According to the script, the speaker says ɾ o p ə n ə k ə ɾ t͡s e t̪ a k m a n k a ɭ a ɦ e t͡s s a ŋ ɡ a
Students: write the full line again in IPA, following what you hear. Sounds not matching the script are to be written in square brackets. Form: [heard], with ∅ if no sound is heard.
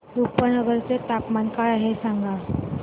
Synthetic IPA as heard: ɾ [u] p ə n ə [ɡ] ə ɾ t͡s e t̪ a [p] m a n k a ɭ a ɦ e [∅] s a ŋ ɡ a

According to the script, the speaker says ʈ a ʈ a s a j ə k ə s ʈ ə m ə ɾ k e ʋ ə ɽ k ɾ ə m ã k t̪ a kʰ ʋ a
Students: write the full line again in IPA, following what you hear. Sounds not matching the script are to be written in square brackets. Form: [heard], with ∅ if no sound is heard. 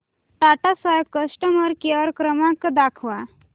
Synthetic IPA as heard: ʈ a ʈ a s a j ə k ə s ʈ ə m ə ɾ k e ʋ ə [ɾ] k ɾ ə m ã k [d̪] a kʰ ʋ a

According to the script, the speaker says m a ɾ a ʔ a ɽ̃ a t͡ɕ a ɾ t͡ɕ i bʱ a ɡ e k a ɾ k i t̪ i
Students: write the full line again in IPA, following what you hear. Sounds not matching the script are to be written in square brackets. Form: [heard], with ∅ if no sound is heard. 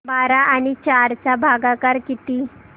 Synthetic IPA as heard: [b] a ɾ a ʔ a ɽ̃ [i] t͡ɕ a ɾ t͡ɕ [a] bʱ a ɡ [a] k a ɾ k i t̪ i

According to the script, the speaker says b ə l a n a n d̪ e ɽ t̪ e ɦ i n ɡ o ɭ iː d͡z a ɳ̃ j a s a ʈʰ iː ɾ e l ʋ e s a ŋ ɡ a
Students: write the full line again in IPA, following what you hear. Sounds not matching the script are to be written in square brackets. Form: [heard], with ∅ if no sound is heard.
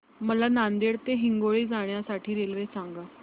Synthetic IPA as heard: [m] ə l a n a n d̪ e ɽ t̪ e ɦ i [ŋ] ɡ o ɭ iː d͡z a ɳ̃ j a s a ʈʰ iː ɾ e l ʋ e s a ŋ ɡ a

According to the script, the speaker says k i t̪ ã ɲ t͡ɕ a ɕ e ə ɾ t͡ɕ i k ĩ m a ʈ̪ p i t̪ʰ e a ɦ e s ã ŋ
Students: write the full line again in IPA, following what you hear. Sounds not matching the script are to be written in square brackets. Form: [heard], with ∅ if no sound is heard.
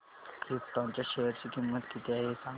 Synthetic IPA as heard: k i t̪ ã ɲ t͡ɕ a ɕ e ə ɾ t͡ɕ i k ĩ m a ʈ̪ [k] i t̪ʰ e a ɦ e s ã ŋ

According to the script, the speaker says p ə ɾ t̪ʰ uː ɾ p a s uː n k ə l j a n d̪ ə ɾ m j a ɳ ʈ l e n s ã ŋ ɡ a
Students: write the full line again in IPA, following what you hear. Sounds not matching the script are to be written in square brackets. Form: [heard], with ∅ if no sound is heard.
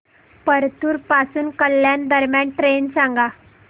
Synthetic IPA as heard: p ə ɾ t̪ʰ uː ɾ p a s uː n k ə l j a n d̪ ə ɾ m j a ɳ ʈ [ɾ] e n s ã ŋ ɡ a

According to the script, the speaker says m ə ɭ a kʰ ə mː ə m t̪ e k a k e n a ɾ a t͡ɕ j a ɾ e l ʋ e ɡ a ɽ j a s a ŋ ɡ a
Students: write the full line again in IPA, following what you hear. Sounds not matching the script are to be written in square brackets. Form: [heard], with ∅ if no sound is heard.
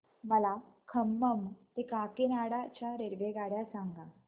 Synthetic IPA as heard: m ə [l] a kʰ ə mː ə m t̪ e k a k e n a [ɽ] a t͡ɕ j a ɾ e [ɾ] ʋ e ɡ a ɽ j a s a ŋ ɡ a

